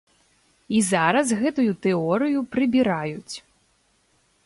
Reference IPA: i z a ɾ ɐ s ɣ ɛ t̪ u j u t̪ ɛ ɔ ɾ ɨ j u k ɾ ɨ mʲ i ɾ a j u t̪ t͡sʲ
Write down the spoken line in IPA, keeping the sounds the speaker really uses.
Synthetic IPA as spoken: i z a ɾ ɐ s ɣ ɛ t̪ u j u t̪ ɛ ɔ ɾ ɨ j u p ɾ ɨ bʲ i ɾ a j u t͡sʲ